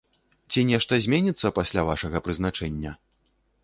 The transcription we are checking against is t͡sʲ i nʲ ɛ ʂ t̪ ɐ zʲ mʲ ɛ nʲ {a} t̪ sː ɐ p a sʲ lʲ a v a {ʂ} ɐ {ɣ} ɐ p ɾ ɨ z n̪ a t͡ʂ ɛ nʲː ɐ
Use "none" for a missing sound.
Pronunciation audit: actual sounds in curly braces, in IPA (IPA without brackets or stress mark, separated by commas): i, ʂ, ɣ